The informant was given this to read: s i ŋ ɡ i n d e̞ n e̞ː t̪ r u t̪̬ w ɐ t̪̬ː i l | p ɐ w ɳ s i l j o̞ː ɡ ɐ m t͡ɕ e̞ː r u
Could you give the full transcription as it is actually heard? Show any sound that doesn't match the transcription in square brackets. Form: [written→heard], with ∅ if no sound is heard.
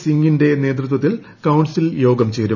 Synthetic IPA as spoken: s i ŋ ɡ i n d e̞ n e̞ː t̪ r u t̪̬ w ɐ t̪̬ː i l | [p→k] ɐ w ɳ s i l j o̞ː ɡ ɐ m t͡ɕ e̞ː [r→ɾ] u